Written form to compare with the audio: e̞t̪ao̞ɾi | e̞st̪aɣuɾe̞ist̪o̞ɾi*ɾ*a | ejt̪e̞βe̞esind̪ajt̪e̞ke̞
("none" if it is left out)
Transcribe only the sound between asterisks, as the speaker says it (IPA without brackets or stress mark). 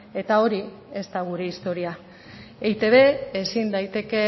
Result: none